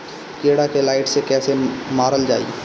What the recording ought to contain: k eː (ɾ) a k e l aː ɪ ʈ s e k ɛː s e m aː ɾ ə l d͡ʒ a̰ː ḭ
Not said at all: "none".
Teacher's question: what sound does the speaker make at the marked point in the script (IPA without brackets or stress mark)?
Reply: ɽ